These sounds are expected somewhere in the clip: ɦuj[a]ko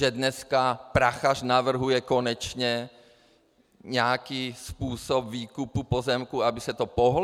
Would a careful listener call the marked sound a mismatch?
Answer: yes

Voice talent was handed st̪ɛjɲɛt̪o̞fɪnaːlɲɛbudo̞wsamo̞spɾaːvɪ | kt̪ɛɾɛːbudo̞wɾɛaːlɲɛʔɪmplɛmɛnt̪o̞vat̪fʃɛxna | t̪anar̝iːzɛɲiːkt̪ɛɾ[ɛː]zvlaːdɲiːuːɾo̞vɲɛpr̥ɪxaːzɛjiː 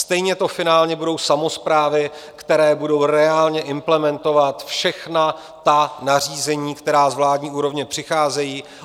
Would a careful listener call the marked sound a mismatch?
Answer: yes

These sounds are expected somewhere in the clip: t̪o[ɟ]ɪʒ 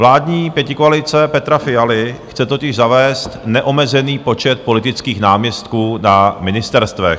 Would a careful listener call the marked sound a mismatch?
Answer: yes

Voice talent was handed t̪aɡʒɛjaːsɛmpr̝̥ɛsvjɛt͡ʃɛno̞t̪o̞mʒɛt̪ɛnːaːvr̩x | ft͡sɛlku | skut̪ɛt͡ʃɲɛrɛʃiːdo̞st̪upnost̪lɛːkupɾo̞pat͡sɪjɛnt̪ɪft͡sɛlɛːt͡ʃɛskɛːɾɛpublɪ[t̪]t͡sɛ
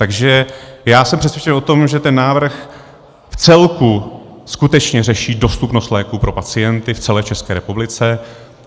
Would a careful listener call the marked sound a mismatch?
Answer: yes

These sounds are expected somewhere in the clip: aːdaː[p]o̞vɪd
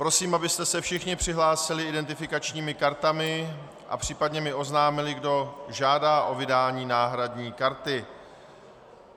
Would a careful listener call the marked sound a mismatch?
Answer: yes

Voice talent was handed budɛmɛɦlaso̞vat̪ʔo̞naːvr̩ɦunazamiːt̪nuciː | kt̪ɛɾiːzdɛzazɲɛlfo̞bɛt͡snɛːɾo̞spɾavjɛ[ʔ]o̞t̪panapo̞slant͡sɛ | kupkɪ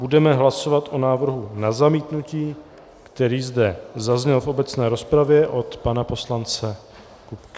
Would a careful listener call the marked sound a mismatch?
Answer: no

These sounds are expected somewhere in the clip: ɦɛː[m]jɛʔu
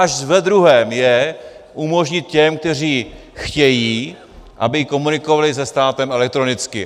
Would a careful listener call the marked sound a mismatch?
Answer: no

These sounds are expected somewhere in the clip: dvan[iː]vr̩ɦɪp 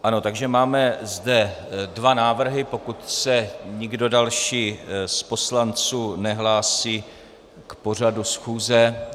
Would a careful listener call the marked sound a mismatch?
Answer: yes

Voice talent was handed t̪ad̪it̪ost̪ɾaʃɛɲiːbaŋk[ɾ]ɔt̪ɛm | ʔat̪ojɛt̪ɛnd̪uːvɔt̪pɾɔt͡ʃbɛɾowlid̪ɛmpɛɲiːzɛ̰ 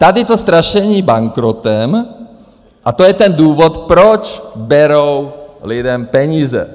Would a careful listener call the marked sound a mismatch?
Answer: no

